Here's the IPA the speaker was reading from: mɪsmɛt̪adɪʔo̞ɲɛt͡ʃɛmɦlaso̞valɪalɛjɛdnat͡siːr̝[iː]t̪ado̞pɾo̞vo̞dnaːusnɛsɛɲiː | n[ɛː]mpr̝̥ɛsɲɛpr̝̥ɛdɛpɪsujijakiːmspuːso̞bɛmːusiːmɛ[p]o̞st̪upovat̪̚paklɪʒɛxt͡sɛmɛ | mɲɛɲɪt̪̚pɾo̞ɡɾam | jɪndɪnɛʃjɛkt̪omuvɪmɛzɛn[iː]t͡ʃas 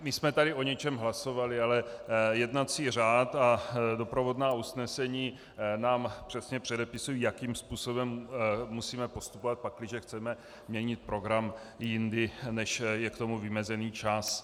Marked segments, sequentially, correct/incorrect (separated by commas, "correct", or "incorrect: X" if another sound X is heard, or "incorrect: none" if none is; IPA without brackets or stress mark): incorrect: aː, incorrect: aː, correct, correct